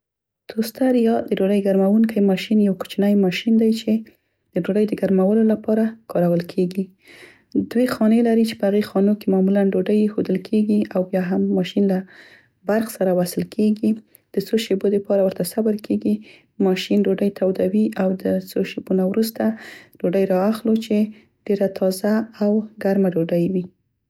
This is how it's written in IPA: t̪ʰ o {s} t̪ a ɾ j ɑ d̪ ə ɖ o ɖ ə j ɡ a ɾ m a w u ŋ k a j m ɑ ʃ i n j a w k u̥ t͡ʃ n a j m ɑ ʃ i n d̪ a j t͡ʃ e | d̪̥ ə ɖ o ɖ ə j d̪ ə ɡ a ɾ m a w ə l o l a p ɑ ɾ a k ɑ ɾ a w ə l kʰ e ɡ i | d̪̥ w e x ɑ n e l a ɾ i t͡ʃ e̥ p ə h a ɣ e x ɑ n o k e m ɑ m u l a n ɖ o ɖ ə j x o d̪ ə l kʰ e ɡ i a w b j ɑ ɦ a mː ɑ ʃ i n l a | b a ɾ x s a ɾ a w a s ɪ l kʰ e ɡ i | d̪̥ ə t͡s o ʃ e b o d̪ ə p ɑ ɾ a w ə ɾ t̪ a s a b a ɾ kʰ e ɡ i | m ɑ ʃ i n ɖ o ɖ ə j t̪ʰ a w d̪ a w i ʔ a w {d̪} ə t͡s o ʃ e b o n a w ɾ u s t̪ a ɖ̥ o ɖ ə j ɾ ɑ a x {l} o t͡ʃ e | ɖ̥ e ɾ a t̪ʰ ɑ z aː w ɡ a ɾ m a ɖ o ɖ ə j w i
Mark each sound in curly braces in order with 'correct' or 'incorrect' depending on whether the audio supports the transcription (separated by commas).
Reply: correct, correct, correct